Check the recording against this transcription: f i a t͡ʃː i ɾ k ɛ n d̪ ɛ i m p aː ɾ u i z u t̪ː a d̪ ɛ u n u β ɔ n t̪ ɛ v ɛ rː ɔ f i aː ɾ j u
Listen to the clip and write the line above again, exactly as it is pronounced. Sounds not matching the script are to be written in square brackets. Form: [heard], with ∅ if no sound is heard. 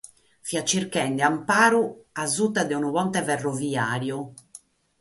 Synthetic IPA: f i a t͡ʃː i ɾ k ɛ n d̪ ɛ [a] m p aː ɾ u [a] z u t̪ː a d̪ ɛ u n u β ɔ n t̪ ɛ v ɛ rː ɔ [v] i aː ɾ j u